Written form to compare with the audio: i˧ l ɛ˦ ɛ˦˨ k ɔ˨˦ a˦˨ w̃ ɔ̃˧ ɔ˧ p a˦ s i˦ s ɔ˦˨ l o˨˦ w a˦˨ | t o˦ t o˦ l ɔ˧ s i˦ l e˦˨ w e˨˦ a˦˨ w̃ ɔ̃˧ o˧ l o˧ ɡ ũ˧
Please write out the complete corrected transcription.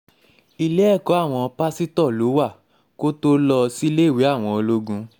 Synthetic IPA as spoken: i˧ l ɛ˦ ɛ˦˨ k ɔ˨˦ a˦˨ w̃ ɔ̃˧ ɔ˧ p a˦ s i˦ t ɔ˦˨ l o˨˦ w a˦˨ | k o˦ t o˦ l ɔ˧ s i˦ l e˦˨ w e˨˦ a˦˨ w̃ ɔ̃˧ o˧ l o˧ ɡ ũ˧